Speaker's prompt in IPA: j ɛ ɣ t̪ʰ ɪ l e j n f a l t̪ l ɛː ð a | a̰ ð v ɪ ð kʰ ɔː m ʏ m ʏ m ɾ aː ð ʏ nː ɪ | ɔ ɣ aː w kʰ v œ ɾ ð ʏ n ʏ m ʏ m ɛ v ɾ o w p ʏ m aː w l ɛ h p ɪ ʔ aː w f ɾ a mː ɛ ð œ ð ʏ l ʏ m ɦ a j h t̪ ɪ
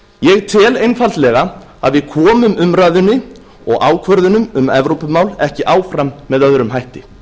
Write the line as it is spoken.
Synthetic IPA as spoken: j ɛ ɣ t̪ʰ ɪ l e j n f a l t̪ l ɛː ɣ a | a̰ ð v ɪ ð kʰ ɔː m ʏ m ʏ m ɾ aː ð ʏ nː ɪ | ɔ ɣ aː w kʰ v œ ɾ ð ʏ n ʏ m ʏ m ɛ v ɾ o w p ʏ m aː w l ɛ h c ɪ ʔ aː w f ɾ a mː ɛ ð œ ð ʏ ɾ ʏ m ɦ a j h t̪ ɪ